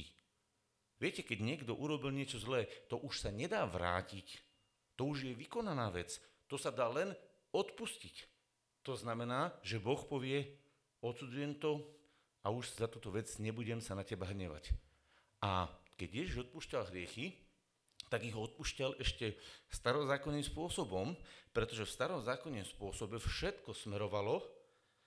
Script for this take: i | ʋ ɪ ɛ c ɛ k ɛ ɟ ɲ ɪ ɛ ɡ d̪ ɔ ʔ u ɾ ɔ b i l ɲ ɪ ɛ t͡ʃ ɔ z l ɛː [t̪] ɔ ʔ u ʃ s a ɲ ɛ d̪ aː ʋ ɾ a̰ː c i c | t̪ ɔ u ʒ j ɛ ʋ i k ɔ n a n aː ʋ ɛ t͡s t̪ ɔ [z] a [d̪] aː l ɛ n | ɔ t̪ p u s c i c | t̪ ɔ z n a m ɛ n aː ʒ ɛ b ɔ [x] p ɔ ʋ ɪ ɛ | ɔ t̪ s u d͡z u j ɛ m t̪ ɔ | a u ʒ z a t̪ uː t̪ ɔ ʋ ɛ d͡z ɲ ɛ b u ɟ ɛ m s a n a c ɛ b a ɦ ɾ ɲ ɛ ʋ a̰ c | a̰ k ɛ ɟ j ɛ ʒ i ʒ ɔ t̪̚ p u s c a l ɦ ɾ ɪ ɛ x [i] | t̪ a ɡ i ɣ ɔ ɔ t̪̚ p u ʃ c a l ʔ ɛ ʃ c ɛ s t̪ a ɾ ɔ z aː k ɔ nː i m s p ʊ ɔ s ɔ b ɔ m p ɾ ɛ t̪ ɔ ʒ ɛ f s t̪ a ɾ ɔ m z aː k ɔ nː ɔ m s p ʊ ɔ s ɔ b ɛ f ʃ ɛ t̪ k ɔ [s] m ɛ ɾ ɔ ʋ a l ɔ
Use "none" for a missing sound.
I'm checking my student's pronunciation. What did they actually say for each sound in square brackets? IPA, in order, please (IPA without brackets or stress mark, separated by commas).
t̪, s, d̪, x, i, s